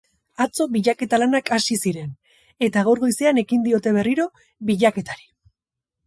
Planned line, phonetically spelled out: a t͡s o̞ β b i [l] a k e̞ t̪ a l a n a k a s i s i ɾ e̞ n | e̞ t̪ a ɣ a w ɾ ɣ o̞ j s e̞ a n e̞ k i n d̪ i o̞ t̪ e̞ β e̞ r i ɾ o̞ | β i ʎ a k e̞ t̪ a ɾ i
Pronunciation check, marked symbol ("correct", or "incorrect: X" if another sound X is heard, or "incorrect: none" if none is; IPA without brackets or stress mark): incorrect: ʎ